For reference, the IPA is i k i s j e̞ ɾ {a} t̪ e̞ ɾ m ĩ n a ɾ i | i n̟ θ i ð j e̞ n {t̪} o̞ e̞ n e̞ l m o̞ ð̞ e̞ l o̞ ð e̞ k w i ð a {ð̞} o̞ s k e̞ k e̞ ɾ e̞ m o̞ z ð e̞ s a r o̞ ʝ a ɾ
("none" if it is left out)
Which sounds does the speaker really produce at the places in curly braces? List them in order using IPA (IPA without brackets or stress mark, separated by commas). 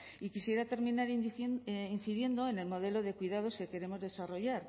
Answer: a, d̪, ð̞